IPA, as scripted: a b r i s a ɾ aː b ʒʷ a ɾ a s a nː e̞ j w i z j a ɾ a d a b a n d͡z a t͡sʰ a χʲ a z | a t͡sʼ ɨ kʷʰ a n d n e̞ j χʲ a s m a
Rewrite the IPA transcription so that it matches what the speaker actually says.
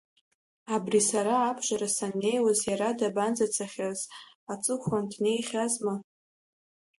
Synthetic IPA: a b r i s a ɾ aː b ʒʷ a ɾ a s a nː e̞ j w a z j a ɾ a d a b a n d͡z a t͡sʰ a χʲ a z | a t͡sʼ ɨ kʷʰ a n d n e̞ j χʲ a z m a